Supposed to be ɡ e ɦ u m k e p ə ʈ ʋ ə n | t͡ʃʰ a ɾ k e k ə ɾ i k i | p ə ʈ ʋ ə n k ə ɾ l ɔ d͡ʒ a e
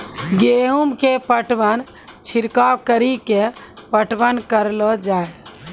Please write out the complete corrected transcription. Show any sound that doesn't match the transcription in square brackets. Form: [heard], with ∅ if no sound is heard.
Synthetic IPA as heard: ɡ e ɦ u m k e p ə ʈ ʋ ə n | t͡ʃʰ [i] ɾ k [a] k ə ɾ i k [e] | p ə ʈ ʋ ə n k ə ɾ l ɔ d͡ʒ a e